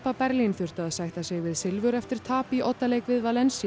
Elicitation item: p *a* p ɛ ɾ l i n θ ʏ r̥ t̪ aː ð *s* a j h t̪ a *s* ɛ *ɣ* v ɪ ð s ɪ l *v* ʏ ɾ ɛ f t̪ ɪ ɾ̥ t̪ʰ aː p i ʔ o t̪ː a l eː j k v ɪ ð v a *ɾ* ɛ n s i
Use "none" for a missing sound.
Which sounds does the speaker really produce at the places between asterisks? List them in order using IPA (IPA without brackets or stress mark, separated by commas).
a, s, s, ɣ, v, l